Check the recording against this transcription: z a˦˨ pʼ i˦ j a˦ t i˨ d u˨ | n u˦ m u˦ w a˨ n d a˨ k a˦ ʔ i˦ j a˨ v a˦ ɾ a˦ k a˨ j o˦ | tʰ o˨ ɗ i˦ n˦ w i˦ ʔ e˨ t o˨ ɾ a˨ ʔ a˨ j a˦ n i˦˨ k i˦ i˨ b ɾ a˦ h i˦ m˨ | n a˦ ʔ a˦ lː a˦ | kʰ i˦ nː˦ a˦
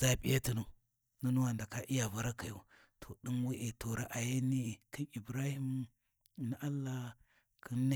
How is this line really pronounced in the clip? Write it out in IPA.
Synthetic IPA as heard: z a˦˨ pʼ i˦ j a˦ t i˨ n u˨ | n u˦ n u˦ w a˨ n d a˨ k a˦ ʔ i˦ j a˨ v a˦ ɾ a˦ k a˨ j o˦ | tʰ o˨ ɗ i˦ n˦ w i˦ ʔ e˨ t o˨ ɾ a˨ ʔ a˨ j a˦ n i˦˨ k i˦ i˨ b ɾ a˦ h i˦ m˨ | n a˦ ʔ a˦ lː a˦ | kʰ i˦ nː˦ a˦

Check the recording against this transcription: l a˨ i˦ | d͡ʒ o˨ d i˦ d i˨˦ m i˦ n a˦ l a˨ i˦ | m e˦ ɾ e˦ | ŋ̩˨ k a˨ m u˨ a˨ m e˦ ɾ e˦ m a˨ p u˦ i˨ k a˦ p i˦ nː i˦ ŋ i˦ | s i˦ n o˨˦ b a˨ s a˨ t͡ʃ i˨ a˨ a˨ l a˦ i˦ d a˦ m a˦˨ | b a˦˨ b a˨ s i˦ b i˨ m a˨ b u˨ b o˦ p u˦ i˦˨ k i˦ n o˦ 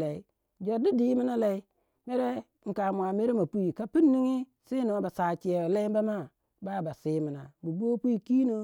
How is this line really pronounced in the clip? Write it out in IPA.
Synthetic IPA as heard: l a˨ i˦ | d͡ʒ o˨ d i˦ d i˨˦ m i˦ n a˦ l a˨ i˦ | m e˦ ɾ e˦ | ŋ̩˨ k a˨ m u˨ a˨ m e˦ ɾ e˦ m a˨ p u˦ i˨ k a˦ p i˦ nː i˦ ŋ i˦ | s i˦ n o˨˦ b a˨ s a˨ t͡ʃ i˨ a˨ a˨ l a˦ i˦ b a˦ m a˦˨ | b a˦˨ b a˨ s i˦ m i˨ n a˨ b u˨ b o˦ p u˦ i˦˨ k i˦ n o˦

